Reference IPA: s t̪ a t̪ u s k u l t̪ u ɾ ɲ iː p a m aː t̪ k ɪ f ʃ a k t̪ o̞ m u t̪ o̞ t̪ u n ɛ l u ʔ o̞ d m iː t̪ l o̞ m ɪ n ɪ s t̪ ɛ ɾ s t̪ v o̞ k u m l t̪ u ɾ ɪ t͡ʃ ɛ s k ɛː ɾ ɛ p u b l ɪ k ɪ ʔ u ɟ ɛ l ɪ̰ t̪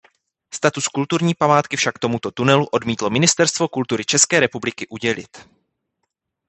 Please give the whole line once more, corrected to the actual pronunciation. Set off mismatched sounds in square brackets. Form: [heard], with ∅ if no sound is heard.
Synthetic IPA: s t̪ a t̪ u s k u l t̪ u ɾ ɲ iː p a m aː t̪ k ɪ f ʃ a k t̪ o̞ m u t̪ o̞ t̪ u n ɛ l u ʔ o̞ d m iː t̪ l o̞ m ɪ n ɪ s t̪ ɛ ɾ s t̪ v o̞ k u [∅] l t̪ u ɾ ɪ t͡ʃ ɛ s k ɛː ɾ ɛ p u b l ɪ k ɪ ʔ u ɟ ɛ l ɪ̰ t̪